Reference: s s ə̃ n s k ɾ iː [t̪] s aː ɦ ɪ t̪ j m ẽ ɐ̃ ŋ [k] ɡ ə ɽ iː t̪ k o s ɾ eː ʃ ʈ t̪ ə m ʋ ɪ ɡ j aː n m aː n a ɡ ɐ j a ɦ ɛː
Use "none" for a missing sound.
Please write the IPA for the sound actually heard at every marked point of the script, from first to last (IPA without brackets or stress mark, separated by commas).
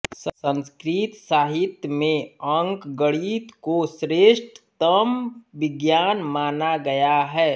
t̪, k